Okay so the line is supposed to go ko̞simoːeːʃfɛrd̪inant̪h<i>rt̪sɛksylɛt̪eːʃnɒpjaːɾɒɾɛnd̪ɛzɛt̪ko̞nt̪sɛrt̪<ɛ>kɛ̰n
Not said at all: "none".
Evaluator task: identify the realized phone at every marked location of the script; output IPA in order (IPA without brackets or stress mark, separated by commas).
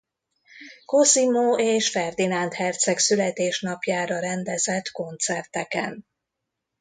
ɛ, ɛ